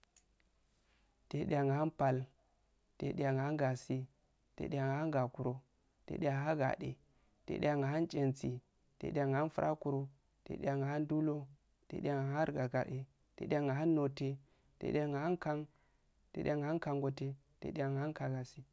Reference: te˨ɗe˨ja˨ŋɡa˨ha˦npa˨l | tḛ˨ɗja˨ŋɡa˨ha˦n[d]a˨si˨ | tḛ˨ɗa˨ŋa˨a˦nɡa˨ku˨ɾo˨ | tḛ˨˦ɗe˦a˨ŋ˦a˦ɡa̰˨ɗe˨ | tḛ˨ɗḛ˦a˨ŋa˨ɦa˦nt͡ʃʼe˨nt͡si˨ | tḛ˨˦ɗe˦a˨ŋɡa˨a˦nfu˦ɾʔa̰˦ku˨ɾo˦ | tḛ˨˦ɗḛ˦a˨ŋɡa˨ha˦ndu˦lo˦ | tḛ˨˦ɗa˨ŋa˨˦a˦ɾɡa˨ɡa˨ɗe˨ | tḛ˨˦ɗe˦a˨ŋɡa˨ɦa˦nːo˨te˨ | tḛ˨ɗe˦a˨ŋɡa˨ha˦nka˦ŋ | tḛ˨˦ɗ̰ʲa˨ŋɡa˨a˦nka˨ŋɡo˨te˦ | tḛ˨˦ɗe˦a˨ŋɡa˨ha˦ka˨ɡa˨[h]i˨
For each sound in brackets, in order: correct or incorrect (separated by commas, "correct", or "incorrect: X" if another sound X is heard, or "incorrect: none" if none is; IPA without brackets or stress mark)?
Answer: incorrect: ɡ, incorrect: s